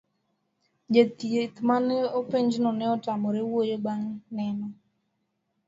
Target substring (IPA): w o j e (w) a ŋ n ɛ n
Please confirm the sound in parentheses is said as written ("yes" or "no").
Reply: no